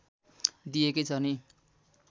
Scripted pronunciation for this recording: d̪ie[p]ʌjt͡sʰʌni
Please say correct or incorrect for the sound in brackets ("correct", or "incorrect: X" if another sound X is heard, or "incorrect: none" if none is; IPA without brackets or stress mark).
incorrect: k